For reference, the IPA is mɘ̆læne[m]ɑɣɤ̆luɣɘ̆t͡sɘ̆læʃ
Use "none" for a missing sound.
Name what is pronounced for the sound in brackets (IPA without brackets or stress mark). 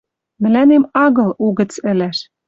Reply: m